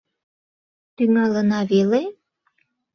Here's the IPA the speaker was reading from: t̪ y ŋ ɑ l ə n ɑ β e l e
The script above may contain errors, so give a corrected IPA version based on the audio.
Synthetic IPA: t̪ y ŋ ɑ l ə n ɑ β e l e